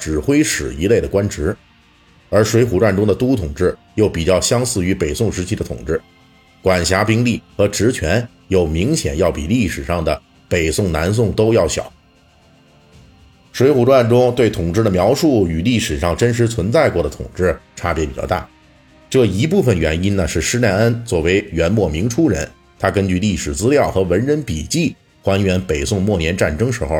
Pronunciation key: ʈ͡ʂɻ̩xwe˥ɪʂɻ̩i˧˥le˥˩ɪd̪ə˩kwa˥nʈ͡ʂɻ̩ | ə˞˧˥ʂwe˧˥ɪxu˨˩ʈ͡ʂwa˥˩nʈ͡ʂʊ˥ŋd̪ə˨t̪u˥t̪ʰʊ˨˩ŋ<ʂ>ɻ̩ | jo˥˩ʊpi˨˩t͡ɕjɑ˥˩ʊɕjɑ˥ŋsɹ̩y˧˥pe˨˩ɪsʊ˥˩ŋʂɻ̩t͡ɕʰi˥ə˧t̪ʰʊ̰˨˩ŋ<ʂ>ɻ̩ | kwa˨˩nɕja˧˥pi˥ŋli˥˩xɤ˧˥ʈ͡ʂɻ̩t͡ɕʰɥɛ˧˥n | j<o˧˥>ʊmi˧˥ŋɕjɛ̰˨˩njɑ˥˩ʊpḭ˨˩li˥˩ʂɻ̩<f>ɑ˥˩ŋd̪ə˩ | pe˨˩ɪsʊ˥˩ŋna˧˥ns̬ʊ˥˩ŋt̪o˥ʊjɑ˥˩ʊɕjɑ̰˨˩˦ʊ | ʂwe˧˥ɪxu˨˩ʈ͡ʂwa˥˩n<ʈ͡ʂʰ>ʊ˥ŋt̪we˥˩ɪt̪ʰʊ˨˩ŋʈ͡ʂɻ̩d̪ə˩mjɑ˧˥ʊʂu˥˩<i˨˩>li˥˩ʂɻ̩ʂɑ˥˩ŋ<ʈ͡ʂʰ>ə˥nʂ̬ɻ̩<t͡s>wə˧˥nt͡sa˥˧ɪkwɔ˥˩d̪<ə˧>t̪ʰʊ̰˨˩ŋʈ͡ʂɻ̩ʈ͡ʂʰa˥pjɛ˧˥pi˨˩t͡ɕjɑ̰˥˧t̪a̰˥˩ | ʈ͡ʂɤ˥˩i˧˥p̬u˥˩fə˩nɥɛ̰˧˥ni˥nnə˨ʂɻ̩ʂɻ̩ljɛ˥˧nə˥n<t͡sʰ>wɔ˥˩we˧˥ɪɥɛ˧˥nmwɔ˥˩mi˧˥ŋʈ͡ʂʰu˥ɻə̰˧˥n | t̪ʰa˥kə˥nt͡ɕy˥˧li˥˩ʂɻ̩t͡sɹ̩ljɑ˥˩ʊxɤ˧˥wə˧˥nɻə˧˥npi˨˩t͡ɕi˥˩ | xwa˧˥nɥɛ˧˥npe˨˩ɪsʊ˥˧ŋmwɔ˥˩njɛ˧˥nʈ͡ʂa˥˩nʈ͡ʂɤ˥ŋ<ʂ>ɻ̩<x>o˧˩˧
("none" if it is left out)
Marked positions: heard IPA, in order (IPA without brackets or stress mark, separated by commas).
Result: ʈ͡ʂ, ʈ͡ʂ, o˨˩, ʂ, ʈ͡ʂ, y˨˩, ʈ͡ʂ, t͡sʰ, ə˩, t͡s, ʂ, x